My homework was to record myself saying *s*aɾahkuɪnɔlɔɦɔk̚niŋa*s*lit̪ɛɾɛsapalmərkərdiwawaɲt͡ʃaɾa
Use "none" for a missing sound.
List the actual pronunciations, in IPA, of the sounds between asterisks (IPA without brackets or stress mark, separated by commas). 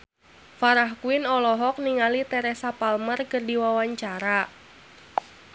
f, none